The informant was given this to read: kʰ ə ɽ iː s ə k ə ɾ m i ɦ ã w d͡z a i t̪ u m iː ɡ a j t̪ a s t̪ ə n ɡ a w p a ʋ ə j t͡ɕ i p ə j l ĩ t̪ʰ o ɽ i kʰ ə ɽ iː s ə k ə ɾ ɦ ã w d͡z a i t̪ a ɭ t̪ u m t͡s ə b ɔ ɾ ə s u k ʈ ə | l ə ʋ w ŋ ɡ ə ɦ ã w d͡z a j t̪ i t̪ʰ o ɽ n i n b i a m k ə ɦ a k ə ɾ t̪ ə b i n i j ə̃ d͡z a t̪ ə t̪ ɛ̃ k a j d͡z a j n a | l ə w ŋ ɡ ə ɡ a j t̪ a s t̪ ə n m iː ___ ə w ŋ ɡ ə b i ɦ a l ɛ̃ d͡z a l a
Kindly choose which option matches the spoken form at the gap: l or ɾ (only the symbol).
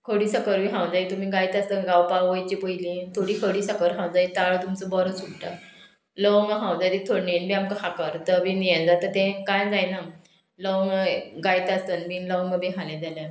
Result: l